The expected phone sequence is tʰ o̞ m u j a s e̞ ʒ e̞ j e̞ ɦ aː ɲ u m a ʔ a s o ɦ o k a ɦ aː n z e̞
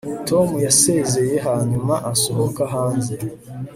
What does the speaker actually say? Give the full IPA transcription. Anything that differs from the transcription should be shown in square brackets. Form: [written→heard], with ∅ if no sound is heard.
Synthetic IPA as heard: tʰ o̞ m u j a s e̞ [ʒ→z] e̞ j e̞ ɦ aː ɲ u m a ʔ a s o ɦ o k a ɦ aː n z e̞

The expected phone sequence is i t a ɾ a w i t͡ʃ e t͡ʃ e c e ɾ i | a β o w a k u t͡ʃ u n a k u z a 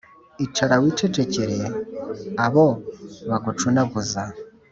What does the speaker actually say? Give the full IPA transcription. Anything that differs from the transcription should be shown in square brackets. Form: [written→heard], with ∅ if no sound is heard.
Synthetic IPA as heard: i [t→t͡ʃ] a ɾ a w i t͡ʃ e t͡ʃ e c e ɾ [i→e] | a β o [w→β] a k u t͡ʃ u n a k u z a

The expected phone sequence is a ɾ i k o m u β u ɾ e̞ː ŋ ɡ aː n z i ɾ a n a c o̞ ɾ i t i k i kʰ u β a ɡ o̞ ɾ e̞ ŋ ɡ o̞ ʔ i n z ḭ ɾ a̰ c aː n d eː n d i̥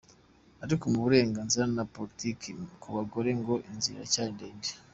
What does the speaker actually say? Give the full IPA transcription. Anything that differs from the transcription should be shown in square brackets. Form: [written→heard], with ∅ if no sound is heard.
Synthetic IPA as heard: a ɾ i k o m u β u ɾ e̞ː ŋ ɡ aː n z i ɾ a n a [c→p] o̞ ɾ i t i k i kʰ u β a ɡ o̞ ɾ e̞ ŋ ɡ o̞ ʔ i n z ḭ ɾ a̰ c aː n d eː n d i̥

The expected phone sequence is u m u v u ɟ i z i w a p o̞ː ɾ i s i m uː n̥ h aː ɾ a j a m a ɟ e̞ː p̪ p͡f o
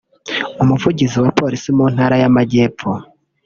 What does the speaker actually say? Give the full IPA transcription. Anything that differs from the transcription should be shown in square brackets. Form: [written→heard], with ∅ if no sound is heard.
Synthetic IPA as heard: u m u v u ɟ i z i w a p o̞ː ɾ i s i m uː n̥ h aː ɾ a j a m a ɟ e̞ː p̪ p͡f o

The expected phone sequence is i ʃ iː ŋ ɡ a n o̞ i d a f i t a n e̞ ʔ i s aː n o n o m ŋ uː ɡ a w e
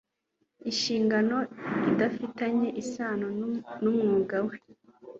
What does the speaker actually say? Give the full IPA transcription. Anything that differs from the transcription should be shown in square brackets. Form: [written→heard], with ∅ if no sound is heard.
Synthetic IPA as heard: i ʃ iː ŋ ɡ a n o̞ i d a f i t a [n→ɲ] e̞ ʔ i s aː n o n [o→u] m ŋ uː ɡ a w e

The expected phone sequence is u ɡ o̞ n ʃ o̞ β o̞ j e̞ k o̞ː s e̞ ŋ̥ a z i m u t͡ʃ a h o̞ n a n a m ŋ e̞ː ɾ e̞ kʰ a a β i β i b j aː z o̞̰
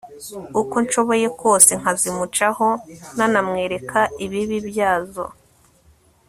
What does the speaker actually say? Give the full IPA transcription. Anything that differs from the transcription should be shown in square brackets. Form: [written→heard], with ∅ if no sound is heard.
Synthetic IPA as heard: u [ɡ→k] o̞ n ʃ o̞ β o̞ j e̞ k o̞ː s e̞ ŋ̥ a z i m u t͡ʃ a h o̞ n a n a m ŋ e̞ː ɾ e̞ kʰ a [a→i] β i β i b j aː z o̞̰

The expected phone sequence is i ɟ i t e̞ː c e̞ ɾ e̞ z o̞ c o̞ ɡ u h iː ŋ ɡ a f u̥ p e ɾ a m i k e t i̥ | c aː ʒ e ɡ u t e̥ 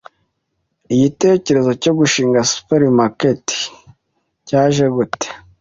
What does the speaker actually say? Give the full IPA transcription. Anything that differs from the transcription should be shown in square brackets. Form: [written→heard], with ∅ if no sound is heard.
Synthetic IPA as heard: i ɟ i t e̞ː c e̞ ɾ e̞ z o̞ c o̞ ɡ u [h→ʃ] iː ŋ ɡ a [f→s] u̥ p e ɾ [a→i] m [i→a] k e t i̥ | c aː ʒ e ɡ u t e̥

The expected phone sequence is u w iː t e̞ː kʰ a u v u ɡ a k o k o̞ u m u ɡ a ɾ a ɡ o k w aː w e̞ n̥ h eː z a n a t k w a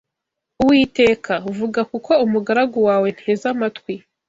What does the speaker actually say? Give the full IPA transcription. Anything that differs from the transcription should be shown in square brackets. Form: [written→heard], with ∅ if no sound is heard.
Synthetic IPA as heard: u w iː t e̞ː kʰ a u v u ɡ a k [o→u] k o̞ u m u ɡ a ɾ a ɡ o [k→∅] w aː w e̞ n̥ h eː z a [n→m] a t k w [a→i]

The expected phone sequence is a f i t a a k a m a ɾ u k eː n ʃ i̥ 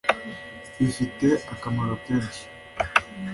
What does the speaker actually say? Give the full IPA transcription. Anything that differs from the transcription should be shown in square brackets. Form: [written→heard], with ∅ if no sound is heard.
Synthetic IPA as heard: [a→i] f i t [a→e] a k a m a ɾ [u→o] k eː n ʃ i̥

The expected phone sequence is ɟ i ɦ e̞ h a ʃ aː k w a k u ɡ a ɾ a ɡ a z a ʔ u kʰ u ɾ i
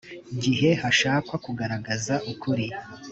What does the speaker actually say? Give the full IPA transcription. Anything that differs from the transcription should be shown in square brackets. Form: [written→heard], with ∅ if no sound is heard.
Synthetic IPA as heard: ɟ i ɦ e̞ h a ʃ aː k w a k u ɡ a ɾ a ɡ a z a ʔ u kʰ u ɾ i

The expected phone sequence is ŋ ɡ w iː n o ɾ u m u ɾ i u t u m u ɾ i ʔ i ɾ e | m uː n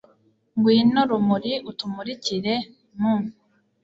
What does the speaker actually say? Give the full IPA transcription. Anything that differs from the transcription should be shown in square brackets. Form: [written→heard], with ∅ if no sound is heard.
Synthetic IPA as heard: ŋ ɡ w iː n o ɾ u m u ɾ i u t u m u ɾ i [ʔ→c] i ɾ e | m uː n

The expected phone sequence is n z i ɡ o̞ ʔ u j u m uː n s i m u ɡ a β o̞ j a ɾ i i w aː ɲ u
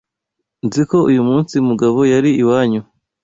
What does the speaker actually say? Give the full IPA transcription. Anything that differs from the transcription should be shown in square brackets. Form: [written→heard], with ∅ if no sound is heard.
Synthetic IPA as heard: n z i [ɡ→k] o̞ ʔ u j u m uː n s i m u ɡ a β o̞ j a ɾ i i w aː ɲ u

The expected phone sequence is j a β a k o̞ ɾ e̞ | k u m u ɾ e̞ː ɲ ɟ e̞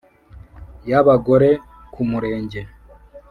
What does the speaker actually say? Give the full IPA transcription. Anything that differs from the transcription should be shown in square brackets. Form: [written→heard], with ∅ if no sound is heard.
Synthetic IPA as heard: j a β a [k→ɡ] o̞ ɾ e̞ | k u m u ɾ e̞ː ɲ ɟ e̞

